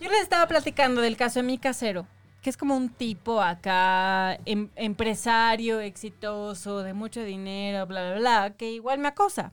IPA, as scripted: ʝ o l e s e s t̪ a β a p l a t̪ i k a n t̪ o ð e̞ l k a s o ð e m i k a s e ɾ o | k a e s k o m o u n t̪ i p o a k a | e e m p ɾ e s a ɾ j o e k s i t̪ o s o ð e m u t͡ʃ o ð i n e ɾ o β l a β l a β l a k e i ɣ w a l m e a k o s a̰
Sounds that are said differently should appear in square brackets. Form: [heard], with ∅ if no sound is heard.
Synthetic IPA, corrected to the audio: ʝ o l e s e s t̪ a β a p l a t̪ i k a n [d̪] o ð e̞ l k a s o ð e m i k a s e ɾ o | k [e] e s k o m o u n t̪ i p o a k a | e e m p ɾ e s a ɾ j o e k s i t̪ o s o ð e m u t͡ʃ o ð i n e ɾ o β l a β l a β l a k e i ɣ w a l m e a k o s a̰